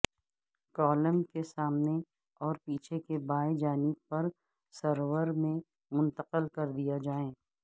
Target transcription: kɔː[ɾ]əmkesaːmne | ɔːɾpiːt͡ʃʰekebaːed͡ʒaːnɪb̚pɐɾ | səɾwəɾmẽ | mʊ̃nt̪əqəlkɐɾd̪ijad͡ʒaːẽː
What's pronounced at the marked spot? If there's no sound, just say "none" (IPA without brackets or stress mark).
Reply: l